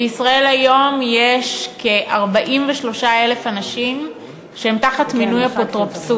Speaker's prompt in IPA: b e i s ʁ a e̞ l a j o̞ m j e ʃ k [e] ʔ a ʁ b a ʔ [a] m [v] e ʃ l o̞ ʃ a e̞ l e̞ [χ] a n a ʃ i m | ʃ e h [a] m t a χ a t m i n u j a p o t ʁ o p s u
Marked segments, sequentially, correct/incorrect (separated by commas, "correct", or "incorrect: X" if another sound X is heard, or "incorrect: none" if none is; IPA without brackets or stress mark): correct, incorrect: i, correct, incorrect: f, incorrect: e